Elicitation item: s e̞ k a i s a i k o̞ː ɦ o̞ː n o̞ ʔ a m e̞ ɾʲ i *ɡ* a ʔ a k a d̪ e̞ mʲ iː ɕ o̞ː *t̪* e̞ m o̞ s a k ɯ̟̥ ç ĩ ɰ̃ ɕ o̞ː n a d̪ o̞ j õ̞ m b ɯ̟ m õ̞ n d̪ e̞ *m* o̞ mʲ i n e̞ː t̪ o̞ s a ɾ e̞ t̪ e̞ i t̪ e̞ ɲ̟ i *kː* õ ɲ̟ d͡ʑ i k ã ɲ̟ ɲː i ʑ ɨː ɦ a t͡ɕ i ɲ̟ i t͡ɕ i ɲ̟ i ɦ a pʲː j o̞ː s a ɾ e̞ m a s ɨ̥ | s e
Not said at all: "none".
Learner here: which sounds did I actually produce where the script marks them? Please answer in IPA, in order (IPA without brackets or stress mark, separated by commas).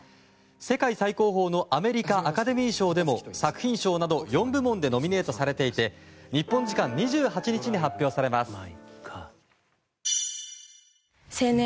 k, d̪, n, pː